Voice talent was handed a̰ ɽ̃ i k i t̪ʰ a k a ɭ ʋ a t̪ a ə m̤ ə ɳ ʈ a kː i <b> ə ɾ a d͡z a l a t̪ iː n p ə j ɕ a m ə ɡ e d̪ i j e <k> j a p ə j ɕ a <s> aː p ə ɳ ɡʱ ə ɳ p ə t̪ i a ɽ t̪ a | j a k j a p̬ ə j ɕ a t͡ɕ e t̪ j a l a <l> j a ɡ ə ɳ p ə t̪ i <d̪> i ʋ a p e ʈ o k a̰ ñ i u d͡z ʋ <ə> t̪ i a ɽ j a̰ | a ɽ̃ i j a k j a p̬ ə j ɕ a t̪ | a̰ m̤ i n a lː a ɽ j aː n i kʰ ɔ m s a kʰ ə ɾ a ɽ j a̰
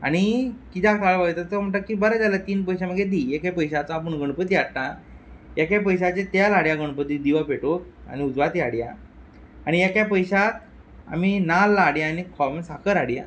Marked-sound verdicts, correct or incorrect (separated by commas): correct, correct, incorrect, incorrect, correct, incorrect